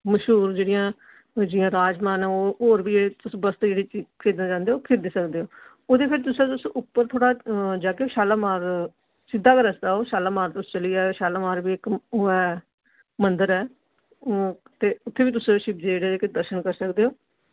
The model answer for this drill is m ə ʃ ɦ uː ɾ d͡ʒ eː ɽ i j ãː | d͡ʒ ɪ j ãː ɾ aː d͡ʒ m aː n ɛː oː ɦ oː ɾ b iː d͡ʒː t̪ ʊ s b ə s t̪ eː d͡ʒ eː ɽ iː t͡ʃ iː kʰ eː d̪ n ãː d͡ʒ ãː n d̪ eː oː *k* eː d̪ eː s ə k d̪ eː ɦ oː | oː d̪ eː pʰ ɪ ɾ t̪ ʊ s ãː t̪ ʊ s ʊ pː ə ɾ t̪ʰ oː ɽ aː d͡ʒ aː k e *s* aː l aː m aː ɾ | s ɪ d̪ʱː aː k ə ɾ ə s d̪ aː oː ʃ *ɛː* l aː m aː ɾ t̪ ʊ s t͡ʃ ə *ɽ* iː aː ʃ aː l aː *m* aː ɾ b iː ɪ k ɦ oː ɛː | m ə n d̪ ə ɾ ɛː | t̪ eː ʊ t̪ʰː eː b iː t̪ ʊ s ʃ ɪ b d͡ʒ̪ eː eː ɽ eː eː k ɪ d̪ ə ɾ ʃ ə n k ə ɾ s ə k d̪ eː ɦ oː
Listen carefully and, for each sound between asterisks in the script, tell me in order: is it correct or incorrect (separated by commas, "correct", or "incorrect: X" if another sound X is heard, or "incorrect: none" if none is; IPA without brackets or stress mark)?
incorrect: kʰ, incorrect: ʃ, incorrect: aː, incorrect: l, correct